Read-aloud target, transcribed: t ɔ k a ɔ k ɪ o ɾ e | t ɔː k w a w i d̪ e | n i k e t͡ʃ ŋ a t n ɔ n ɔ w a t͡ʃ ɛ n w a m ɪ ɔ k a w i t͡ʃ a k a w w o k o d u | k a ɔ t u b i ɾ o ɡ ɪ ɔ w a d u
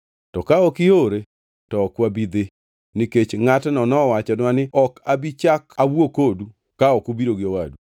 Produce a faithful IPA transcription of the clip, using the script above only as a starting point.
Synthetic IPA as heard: t ɔ k a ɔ k ɪ o ɾ e | t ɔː k w a b i d̪ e | n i k e t͡ʃ ŋ a t n ɔ n ɔ w a t͡ʃ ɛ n w a n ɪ ɔ k a b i t͡ʃ a k a w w o k o d u | k a ɔ k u b i ɾ o ɡ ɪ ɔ w a d u